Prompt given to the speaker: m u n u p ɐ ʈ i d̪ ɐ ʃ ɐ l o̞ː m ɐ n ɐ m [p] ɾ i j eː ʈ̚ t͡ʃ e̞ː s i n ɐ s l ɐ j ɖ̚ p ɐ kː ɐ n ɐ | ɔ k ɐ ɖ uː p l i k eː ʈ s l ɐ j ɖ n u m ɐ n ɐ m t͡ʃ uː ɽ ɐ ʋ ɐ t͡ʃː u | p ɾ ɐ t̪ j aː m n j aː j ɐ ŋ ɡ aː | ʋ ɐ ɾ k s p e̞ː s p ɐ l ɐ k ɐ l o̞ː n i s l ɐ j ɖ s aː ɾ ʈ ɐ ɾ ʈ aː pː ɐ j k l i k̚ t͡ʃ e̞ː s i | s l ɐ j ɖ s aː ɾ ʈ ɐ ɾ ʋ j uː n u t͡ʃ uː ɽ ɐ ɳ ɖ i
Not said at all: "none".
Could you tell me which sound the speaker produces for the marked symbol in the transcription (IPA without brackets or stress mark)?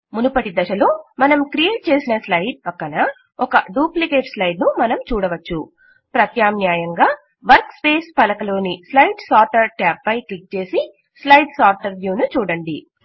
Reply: k